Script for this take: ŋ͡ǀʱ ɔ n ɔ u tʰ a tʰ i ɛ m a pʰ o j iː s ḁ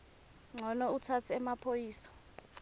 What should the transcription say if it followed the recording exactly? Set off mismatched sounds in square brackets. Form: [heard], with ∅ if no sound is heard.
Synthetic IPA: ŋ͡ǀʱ ɔ n ɔ u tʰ a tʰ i ɛ m a pʰ o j iː s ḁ